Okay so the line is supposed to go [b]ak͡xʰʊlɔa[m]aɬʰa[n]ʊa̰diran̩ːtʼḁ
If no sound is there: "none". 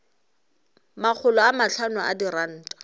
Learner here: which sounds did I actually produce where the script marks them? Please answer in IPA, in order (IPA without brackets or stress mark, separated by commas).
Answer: m, m, n